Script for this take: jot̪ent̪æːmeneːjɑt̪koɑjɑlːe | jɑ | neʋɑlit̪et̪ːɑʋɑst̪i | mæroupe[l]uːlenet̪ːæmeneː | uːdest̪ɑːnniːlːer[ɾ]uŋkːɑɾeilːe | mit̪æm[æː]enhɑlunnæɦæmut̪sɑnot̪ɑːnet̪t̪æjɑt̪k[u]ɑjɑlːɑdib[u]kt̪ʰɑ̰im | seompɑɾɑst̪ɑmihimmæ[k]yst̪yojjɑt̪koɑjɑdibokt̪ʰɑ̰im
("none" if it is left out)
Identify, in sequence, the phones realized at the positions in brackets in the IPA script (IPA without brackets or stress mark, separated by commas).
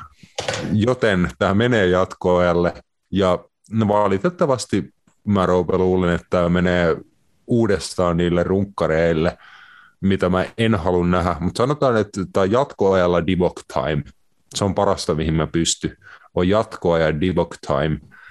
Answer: l, r, æ, o, o, p